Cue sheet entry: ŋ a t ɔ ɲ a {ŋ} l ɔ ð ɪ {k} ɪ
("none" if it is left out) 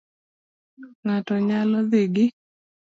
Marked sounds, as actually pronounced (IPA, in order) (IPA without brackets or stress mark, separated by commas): none, ɡ